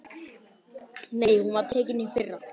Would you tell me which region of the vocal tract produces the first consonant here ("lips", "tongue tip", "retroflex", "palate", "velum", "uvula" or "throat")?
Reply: tongue tip